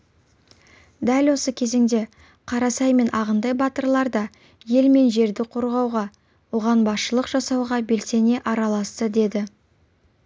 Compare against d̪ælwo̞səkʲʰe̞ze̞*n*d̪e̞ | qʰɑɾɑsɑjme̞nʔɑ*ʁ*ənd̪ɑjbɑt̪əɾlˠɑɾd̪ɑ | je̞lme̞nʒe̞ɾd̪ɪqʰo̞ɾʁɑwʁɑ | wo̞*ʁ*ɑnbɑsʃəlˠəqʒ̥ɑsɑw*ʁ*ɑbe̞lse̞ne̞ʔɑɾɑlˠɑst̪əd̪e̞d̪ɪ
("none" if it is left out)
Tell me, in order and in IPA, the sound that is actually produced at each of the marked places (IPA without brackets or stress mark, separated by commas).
ŋ, ʁ, ʁ, ʁ